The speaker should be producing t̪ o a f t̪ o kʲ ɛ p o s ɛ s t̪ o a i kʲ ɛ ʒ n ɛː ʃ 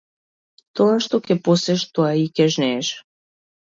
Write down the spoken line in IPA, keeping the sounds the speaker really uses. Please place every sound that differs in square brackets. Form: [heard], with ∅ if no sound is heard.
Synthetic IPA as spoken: t̪ o a [ʃ] t̪ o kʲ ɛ p o s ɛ [ʃ] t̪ o a i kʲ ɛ ʒ n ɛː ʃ